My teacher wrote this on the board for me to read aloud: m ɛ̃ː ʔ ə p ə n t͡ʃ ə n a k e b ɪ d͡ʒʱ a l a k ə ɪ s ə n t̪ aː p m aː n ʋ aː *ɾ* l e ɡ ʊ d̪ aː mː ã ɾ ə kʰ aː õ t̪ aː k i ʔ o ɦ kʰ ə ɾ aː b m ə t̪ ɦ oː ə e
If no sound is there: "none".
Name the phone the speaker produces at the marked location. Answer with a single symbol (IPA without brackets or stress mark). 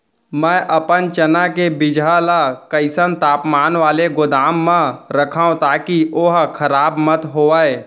none